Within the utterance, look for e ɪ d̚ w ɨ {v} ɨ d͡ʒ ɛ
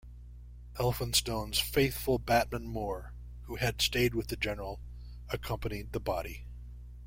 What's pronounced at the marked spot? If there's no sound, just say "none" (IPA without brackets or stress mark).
ð